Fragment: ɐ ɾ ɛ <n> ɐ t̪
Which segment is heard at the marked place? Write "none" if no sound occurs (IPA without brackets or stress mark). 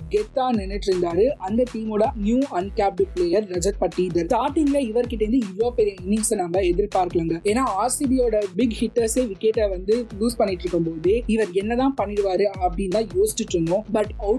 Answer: nː